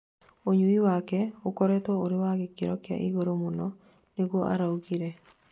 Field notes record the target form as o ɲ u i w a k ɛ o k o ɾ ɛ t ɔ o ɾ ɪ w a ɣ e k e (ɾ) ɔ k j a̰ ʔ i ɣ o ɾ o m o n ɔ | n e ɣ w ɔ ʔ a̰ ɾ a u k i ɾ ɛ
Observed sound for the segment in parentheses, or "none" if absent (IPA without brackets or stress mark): ɾ